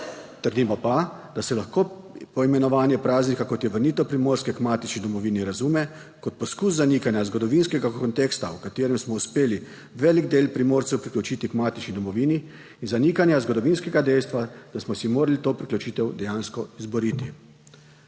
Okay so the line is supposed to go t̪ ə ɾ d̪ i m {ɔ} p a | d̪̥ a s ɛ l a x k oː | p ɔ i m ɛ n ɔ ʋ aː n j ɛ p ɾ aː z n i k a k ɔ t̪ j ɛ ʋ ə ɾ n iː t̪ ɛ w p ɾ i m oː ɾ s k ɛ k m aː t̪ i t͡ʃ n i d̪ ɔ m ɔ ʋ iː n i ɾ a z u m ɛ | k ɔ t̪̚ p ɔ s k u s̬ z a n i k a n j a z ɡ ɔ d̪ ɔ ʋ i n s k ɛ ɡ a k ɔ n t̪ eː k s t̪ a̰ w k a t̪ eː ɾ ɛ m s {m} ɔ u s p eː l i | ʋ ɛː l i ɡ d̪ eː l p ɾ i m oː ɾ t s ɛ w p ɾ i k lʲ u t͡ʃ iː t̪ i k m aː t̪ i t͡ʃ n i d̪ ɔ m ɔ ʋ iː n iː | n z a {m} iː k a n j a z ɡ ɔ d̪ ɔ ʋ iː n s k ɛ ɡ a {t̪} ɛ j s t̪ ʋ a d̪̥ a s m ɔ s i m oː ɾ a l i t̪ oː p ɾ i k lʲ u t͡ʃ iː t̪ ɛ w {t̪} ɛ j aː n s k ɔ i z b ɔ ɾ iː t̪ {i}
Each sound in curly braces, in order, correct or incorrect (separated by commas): correct, correct, incorrect, incorrect, incorrect, correct